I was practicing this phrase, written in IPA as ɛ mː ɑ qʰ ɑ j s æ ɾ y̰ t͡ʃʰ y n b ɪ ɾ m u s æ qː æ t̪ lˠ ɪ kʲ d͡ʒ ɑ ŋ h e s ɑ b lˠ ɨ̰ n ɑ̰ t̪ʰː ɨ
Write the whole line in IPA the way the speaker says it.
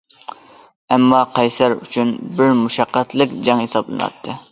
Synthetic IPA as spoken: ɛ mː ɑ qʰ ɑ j s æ ɾ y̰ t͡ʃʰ y n b ɪ ɾ m u ʃ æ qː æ t̪ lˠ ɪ kʲ d͡ʒ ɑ ŋ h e s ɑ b lˠ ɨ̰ n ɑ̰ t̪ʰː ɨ

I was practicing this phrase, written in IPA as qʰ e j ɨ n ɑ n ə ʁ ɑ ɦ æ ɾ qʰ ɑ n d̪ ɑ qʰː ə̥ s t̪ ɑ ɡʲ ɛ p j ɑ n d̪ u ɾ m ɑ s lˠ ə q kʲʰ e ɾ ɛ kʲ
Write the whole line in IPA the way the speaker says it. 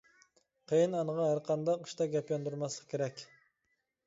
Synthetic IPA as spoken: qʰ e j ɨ n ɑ n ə ʁ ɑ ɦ æ ɾ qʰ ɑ n d̪ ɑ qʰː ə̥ ʃ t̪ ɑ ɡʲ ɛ p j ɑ n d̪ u ɾ m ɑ s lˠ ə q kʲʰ e ɾ ɛ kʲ

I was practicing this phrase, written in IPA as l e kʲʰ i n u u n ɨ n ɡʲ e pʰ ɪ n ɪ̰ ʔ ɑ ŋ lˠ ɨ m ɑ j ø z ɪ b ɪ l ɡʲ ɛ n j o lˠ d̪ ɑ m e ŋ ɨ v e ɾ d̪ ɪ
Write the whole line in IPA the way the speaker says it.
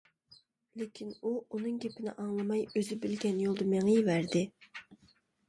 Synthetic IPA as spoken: l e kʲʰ i n u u n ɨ ŋ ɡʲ e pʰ ɪ n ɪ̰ ʔ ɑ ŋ lˠ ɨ m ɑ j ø z ɪ b ɪ l ɡʲ ɛ n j o lˠ d̪ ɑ m e ŋ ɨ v æ ɾ d̪ ɪ

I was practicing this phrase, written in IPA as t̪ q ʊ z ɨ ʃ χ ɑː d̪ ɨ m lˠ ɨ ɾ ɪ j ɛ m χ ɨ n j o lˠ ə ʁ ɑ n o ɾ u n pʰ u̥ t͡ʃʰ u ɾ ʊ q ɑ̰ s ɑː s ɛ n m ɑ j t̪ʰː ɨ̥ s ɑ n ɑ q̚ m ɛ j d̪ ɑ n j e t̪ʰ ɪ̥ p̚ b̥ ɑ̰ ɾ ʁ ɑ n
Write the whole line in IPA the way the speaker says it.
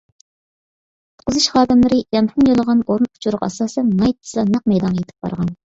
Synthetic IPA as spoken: t̪ q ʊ z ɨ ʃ χ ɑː d̪ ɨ m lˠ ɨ ɾ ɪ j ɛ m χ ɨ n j o lˠ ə ʁ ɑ n o ɾ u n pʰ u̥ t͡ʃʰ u ɾ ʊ q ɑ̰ s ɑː s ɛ n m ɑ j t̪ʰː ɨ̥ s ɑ n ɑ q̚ m ɛ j d̪ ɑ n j e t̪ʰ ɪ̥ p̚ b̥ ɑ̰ ɾ ʁ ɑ n

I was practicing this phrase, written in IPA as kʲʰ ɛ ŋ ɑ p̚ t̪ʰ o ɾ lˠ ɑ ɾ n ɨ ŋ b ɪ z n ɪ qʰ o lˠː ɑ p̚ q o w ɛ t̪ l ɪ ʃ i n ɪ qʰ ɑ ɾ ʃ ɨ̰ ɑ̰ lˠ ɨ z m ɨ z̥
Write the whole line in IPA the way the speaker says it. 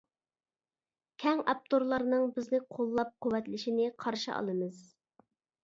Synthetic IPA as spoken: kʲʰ ɛ ŋ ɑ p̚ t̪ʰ o ɾ lˠ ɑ ɾ n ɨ ŋ b ɪ z n ɪ qʰ o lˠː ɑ p̚ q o w ɛ t̪ l ɪ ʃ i n ɪ qʰ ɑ ɾ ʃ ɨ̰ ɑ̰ lˠ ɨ m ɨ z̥

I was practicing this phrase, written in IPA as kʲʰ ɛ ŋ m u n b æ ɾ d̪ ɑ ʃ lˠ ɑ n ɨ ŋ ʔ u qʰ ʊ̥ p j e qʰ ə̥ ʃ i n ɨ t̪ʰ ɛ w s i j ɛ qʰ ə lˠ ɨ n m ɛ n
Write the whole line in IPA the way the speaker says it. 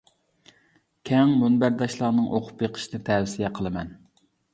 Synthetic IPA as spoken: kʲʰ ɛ ŋ m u n b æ ɾ d̪ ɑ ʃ lˠ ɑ n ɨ ŋ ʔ o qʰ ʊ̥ p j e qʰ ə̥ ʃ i n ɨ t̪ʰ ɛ w s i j ɛ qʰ ə lˠ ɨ m ɛ n

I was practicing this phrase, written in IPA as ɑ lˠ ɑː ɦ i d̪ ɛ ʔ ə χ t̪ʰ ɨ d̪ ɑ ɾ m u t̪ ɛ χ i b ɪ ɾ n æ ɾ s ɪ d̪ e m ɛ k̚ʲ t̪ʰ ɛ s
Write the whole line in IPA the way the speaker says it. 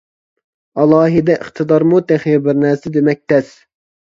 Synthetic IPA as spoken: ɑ lˠ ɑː ɦ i d̪ ɛ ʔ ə χ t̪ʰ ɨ d̪ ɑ ɾ m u t̪ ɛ χ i b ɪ ɾ n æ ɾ s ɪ d̪ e m ɛ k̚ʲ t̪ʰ ɛ s

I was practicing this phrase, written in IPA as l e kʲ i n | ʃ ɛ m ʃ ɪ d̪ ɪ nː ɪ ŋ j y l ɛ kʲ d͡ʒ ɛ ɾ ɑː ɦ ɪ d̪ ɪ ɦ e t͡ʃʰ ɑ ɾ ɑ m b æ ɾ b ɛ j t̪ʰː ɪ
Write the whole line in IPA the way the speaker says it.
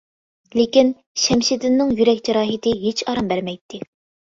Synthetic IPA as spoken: l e kʲ i n | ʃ ɛ m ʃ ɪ d̪ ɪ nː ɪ ŋ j y ɾ ɛ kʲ d͡ʒ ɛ ɾ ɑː ɦ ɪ t̪ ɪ ɦ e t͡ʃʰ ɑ ɾ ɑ m b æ ɾ m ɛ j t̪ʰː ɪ

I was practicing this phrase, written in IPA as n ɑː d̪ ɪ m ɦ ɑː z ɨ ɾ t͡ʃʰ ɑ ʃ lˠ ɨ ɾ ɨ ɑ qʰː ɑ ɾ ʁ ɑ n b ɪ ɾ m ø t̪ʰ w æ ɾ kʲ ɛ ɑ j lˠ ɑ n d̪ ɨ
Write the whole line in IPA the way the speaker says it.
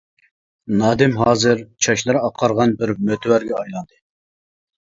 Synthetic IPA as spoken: n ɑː d̪ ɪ m ɦ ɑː z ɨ ɾ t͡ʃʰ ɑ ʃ lˠ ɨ ɾ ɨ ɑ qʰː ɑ ɾ ʁ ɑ n b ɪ ɾ m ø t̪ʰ w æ ɾ ɡʲ ɛ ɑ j lˠ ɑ n d̪ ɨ

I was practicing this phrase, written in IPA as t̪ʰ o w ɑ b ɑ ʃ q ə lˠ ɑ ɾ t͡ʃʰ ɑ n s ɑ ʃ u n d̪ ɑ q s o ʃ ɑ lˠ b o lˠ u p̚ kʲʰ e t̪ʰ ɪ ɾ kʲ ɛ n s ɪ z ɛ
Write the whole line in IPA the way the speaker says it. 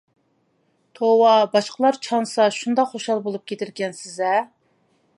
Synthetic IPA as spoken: t̪ʰ o w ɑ b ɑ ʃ q ə lˠ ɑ ɾ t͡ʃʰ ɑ n s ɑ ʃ u n d̪ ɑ q χ o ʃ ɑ lˠ b o lˠ u p̚ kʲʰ e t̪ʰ ɪ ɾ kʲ ɛ n s ɪ z ɛ

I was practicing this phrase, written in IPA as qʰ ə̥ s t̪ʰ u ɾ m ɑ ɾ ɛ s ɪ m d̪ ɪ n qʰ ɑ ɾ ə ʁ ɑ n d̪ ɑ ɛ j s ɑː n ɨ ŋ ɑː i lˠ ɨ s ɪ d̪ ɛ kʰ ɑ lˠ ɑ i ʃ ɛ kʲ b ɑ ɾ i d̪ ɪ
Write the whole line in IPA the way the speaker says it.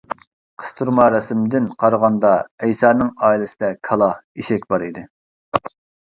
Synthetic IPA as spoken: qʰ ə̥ s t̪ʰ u ɾ m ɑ ɾ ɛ s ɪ m d̪ ɪ n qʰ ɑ ɾ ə ʁ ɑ n d̪ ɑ ɛ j s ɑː n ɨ ŋ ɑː i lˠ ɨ s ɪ d̪ ɛ kʰ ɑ lˠ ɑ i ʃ ɛ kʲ b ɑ ɾ i d̪ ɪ

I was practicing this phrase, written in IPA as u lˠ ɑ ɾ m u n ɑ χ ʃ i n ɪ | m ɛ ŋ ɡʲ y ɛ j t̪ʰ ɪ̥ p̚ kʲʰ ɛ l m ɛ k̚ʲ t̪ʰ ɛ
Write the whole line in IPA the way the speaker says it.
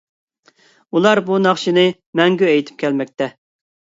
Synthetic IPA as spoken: u lˠ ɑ ɾ b u n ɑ χ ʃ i n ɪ | m ɛ ŋ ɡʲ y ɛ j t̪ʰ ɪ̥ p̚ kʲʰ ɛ l m ɛ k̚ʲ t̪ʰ ɛ

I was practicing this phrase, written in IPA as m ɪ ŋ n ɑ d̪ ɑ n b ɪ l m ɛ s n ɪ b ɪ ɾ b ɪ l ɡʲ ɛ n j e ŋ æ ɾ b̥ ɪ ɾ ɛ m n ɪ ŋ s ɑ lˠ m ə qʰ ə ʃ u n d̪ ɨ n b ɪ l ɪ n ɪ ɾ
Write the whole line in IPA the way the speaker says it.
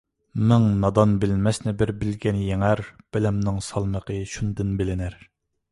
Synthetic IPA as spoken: m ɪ ŋ n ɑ d̪ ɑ n b ɪ l m ɛ s n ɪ b ɪ ɾ b ɪ l ɡʲ ɛ n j e ŋ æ ɾ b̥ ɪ l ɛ m n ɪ ŋ s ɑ lˠ m ə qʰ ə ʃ u n d̪ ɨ n b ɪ l ɪ n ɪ ɾ

